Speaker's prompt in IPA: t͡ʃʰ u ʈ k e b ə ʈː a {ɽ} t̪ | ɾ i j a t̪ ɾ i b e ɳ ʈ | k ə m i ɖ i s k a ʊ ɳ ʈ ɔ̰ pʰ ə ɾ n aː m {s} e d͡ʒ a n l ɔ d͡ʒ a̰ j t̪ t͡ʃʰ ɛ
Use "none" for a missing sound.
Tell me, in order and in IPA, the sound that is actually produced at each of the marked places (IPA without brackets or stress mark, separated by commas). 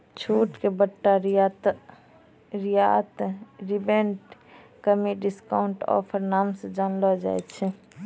ɾ, s